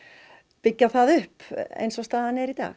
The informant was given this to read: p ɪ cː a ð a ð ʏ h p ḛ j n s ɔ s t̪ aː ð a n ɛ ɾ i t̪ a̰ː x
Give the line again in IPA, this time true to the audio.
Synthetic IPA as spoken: p ɪ cː a θ a ð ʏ h p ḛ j n s ɔ s t̪ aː ð a n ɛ ɾ i t̪ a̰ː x